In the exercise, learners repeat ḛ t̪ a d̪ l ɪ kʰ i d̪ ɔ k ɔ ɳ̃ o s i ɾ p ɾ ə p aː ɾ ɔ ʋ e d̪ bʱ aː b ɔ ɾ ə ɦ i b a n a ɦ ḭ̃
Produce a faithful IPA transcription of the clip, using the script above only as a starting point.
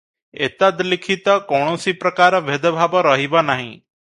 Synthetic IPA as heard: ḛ t̪ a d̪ l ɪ kʰ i t̪ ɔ k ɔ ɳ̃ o s i p ɾ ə k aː ɾ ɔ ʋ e d̪ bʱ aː b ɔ ɾ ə ɦ i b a n a ɦ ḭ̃